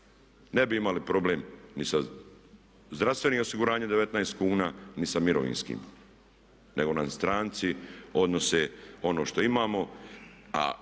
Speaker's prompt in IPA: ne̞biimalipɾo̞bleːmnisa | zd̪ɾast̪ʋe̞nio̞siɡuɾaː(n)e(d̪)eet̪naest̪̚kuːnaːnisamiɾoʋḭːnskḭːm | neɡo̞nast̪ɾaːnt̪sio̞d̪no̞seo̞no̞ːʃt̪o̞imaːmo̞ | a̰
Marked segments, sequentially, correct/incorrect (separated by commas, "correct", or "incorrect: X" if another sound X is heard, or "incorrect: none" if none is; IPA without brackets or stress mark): incorrect: ɲ, correct